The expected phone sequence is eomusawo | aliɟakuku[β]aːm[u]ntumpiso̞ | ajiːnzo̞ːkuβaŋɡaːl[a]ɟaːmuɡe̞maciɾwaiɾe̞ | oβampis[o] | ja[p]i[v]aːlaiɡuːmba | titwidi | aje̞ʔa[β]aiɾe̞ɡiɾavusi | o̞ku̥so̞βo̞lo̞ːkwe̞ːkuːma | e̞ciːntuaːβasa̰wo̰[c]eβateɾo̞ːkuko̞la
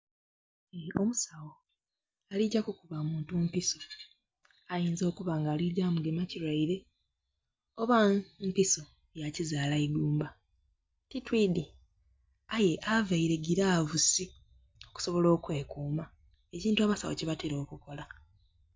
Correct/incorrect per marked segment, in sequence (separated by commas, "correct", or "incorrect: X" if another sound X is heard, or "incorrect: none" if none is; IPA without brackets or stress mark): correct, incorrect: uː, incorrect: i, correct, incorrect: c, incorrect: z, incorrect: v, correct